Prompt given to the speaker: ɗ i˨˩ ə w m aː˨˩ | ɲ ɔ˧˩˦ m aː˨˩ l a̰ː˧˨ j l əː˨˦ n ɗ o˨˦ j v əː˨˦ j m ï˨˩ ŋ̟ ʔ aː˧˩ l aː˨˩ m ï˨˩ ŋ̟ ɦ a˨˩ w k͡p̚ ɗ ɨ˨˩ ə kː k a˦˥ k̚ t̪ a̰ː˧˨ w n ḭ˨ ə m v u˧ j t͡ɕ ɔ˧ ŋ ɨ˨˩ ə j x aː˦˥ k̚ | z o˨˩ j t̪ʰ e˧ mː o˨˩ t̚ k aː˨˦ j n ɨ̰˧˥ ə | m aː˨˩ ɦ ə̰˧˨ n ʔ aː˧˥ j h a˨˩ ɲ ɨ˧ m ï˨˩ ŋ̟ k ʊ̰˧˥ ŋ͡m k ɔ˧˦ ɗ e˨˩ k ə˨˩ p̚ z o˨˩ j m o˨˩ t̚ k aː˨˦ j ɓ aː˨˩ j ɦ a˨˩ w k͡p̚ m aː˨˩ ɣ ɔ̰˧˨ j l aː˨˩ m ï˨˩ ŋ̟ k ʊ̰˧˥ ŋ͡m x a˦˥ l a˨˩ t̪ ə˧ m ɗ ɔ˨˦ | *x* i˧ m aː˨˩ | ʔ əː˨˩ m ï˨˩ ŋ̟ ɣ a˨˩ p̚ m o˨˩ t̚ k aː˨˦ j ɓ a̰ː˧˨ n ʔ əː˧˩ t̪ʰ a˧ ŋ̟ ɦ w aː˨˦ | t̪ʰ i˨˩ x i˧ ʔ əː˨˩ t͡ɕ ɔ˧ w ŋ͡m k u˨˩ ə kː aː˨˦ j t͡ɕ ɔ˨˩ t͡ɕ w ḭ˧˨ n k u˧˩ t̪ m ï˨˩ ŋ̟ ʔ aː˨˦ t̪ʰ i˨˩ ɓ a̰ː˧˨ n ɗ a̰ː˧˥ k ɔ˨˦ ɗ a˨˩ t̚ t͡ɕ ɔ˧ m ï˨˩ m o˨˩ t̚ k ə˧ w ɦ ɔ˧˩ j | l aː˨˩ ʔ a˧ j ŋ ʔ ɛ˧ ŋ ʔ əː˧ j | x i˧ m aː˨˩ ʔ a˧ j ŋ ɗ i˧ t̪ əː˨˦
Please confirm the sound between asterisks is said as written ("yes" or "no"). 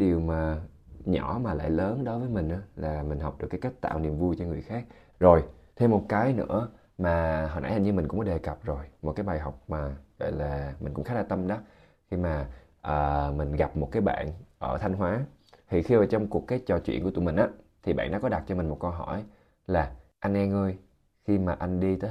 yes